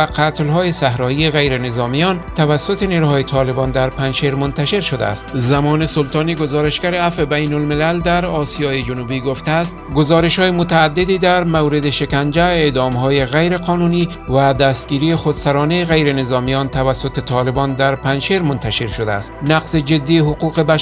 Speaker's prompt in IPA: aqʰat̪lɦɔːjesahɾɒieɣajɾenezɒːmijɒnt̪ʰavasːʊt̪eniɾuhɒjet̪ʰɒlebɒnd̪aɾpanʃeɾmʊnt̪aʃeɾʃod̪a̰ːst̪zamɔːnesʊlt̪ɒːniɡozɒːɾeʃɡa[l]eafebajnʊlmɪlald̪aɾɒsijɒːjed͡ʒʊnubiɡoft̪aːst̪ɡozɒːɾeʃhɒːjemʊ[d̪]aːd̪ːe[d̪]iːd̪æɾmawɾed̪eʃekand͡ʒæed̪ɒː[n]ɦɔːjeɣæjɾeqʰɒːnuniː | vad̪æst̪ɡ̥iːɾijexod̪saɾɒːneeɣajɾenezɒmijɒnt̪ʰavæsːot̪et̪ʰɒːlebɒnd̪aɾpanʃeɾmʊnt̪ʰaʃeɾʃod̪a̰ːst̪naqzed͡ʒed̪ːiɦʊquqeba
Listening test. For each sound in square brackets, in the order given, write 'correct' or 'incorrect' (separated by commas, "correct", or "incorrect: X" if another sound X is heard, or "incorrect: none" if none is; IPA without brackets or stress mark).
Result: incorrect: ɾ, incorrect: t̪, correct, incorrect: m